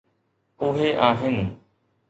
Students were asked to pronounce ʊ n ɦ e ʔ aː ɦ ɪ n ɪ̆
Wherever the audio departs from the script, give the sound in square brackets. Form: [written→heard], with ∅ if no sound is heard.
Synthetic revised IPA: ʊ [n→∅] ɦ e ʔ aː ɦ ɪ n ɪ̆